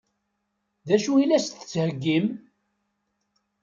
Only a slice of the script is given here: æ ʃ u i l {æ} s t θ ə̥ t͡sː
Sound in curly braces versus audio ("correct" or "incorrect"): correct